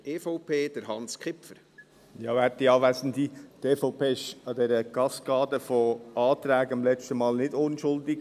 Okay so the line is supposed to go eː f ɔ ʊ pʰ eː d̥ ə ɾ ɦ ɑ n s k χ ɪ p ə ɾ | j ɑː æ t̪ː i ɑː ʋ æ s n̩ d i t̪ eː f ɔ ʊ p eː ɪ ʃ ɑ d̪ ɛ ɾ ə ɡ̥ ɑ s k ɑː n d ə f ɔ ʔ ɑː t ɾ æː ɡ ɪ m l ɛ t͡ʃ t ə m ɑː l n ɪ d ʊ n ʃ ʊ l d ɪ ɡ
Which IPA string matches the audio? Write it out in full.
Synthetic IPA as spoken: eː f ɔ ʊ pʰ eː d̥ ə ɾ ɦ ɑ n s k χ ɪ p ə ɾ | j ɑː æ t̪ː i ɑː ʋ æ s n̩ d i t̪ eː f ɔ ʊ p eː ɪ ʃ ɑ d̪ ɛ ɾ ə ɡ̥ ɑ s k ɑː d ə f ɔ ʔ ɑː t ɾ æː ɡ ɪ m l ɛ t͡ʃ t ə m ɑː l n ɪ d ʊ n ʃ ʊ l d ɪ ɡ